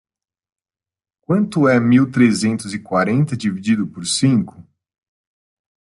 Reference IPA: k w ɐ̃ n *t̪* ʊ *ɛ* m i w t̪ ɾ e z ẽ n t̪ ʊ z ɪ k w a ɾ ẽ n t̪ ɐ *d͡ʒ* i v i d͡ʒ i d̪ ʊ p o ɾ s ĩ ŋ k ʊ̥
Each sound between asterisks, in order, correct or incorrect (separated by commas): correct, correct, correct